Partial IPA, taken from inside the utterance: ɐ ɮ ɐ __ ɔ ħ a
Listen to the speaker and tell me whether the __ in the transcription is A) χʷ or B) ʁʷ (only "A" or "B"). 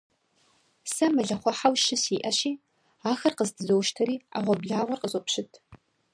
A